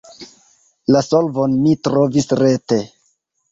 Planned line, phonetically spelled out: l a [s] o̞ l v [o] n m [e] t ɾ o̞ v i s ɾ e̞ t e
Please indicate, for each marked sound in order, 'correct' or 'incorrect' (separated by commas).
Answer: correct, correct, incorrect